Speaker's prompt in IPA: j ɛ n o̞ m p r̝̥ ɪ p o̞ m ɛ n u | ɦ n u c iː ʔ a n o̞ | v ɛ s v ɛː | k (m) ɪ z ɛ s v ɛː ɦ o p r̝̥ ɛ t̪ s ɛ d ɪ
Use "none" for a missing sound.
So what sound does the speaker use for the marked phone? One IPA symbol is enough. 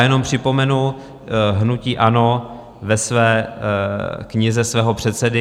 ɲ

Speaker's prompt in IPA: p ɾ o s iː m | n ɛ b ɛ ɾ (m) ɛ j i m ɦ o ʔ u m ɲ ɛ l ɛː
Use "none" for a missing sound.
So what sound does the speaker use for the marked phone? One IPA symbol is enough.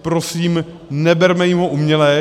m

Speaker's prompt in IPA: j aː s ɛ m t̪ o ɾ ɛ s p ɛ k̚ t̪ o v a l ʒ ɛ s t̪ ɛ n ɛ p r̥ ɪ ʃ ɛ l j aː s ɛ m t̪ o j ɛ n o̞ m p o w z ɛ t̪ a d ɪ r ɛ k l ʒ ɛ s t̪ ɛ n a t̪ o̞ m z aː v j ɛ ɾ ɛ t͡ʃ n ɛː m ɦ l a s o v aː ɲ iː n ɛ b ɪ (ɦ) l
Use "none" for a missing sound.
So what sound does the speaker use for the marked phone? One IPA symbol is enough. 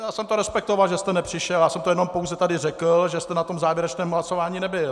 none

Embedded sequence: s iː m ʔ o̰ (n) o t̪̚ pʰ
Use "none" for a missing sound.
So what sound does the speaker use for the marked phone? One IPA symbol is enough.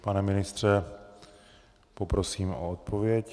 none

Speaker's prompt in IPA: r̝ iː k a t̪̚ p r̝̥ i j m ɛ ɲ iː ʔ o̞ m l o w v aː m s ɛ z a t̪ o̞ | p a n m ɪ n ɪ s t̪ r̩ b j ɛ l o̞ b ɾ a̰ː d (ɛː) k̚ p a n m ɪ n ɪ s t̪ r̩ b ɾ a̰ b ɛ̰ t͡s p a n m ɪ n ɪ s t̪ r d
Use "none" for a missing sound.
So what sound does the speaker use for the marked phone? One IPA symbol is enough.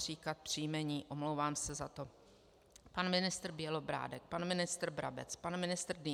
ɛ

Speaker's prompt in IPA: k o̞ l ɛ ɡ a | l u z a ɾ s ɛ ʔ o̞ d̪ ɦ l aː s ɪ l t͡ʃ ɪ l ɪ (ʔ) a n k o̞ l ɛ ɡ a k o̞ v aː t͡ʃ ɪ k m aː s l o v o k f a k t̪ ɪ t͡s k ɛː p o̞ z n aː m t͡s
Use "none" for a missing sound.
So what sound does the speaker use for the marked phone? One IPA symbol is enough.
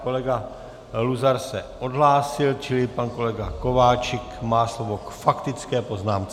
p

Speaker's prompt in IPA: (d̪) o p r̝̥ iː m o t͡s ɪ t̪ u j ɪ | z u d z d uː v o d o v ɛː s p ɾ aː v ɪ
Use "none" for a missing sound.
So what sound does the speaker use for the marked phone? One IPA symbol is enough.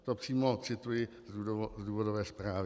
t̪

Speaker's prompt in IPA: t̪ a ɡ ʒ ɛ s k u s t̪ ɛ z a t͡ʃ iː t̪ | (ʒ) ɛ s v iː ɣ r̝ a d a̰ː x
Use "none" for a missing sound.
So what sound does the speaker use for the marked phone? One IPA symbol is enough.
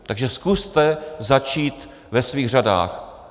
v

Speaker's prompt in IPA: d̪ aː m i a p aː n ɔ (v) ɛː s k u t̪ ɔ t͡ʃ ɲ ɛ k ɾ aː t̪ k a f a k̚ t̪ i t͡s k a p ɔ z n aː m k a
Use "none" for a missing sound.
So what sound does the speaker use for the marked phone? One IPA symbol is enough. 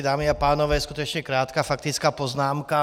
ʋ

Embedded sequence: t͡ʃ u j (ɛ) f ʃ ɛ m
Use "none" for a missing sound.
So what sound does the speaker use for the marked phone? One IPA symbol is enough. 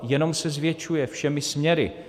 ɛ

